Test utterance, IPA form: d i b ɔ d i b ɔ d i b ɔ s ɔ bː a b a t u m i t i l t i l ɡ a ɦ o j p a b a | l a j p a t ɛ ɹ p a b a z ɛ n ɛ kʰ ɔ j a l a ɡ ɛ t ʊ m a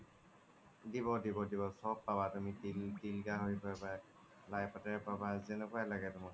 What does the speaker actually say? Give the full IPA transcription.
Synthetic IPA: d i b ɔ d i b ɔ d i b ɔ s ɔ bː a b a t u m i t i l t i l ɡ a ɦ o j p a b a | l a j p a t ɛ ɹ p a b a z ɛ n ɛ k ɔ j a l a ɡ ɛ t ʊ m a